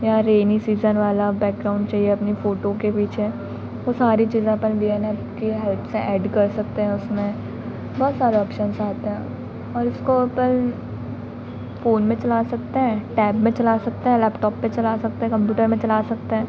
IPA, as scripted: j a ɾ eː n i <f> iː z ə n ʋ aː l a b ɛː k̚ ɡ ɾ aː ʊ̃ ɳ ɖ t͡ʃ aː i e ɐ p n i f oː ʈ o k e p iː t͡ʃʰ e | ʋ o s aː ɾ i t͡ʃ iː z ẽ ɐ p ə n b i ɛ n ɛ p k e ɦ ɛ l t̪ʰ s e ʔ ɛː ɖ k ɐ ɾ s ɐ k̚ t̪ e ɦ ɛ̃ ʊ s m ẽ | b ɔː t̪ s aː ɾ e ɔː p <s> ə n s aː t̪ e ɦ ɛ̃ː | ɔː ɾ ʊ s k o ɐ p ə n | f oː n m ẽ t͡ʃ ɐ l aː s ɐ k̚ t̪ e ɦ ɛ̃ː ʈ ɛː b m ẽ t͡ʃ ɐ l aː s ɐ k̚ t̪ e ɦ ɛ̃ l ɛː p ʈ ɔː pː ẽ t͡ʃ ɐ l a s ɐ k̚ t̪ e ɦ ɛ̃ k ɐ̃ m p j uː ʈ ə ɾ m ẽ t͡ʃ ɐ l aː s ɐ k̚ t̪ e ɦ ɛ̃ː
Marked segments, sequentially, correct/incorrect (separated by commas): incorrect, incorrect